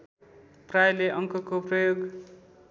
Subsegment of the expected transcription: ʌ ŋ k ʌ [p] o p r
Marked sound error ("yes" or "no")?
yes